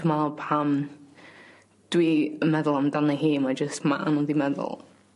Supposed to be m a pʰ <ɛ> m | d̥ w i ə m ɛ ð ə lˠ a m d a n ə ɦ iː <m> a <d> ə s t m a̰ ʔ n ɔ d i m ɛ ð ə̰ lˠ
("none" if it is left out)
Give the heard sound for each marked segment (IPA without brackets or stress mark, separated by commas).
a, m, d͡ʒ